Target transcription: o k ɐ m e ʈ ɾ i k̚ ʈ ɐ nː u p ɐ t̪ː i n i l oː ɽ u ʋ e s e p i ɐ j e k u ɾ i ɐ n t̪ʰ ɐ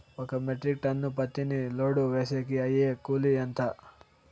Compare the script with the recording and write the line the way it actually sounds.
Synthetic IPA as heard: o k ɐ m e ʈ ɾ i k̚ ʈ ɐ nː u p ɐ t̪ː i n i l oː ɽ u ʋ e s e k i ɐ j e k u l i ɐ n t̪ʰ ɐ